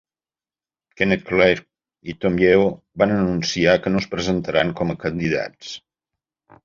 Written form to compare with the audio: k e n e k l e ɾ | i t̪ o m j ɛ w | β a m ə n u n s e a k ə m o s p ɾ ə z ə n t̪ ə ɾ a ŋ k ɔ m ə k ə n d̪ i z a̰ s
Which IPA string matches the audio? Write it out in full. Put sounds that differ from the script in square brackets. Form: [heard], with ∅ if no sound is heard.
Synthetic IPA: k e n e k l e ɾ | i t̪ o m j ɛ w | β a [n] ə n u n s [i] a k ə [n] o s p ɾ ə z ə n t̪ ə ɾ a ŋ k ɔ m ə k ə n d̪ i [ð] a̰ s